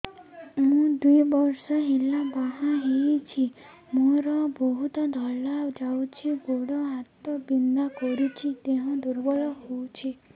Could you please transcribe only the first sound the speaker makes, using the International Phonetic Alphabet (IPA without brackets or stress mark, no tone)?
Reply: m